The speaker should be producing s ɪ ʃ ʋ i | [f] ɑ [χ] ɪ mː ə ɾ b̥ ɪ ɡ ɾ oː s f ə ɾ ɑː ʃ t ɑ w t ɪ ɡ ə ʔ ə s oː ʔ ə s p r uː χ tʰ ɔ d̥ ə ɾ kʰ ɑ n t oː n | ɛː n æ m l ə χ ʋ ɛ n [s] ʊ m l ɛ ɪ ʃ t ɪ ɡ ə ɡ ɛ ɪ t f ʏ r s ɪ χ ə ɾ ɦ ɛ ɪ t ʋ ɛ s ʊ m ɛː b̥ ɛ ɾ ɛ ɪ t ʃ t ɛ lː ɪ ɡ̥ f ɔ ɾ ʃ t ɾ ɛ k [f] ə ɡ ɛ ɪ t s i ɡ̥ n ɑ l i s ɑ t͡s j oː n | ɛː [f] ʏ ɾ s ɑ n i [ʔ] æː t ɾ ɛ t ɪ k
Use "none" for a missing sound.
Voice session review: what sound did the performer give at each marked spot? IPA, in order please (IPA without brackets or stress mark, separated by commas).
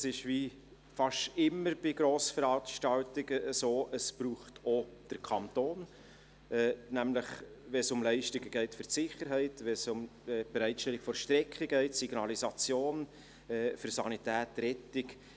f, ʃ, s, χ, f, t